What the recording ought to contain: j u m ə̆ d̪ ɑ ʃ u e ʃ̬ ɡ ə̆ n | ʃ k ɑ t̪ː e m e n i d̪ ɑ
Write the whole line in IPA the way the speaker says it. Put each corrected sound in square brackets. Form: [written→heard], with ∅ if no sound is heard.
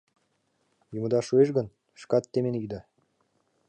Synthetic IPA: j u m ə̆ d̪ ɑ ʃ u e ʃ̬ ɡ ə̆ n | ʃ k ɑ t̪ː e m e n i d̪ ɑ

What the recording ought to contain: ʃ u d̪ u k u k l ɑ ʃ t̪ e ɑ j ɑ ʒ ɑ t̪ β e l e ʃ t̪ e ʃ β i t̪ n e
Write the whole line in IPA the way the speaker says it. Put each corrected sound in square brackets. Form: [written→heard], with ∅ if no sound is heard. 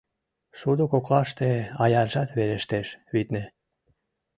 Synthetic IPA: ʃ u d̪ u k [u→o] k l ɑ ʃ t̪ e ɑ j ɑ ʒ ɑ t̪ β e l e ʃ t̪ e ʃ β i t̪ n e

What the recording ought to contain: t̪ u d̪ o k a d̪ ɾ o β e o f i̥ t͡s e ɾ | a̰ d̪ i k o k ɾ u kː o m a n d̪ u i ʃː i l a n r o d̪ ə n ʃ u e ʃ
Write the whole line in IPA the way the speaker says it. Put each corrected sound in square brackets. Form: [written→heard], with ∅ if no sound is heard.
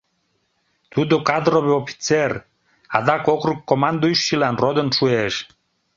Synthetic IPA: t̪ u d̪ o k a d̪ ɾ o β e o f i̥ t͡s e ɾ | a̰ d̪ [i→a] k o k ɾ u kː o m a n d̪ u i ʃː i l a n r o d̪ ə n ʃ u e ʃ

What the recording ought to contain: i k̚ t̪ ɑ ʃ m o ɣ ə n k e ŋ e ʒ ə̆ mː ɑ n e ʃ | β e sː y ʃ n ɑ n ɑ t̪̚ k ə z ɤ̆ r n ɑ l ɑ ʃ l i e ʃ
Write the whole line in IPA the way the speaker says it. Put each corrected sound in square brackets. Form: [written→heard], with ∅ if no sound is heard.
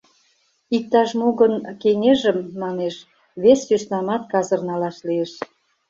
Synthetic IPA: i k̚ t̪ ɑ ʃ m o ɣ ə n k e ŋ e ʒ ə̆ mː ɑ n e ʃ | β e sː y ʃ n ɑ [n→m] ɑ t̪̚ k [ə→ɑ] z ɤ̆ r n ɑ l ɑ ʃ l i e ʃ

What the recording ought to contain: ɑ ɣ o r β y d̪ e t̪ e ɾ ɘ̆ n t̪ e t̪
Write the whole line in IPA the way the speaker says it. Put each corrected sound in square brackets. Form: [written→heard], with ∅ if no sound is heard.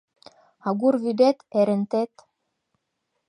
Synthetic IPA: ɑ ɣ [o→u] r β y d̪ e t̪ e ɾ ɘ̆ n t̪ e t̪

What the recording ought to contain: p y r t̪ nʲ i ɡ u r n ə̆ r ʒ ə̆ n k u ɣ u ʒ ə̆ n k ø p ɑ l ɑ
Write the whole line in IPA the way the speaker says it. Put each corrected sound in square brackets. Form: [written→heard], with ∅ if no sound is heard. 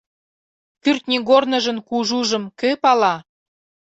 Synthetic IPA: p y r t̪ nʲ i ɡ [u→o] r n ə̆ [r→∅] ʒ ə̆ n k u [ɣ→ʒ] u ʒ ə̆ [n→m] k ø p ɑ l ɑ

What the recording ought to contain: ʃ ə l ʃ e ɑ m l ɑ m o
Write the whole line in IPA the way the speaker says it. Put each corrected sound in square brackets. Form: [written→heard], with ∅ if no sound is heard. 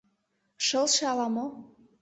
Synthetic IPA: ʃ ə l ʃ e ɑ [m→∅] l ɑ m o

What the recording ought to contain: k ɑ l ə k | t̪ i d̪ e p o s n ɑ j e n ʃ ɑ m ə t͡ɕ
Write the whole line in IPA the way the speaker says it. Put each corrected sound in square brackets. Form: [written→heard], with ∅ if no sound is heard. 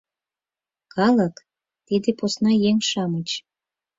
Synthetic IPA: k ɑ l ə k | t̪ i d̪ e p o s n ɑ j e [n→ŋ] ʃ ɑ m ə t͡ɕ

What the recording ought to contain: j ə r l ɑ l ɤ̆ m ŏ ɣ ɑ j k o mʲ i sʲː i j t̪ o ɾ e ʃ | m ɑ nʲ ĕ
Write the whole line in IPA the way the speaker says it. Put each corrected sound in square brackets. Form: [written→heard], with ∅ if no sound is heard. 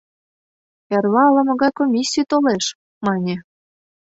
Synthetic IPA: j [ə→ɑ] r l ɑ l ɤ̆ m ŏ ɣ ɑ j k o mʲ i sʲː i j t̪ o [ɾ→l] e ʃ | m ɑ nʲ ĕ

